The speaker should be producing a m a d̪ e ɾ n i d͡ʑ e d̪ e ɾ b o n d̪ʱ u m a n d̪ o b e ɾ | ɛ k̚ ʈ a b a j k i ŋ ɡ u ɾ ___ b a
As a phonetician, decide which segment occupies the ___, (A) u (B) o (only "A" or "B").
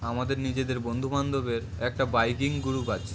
A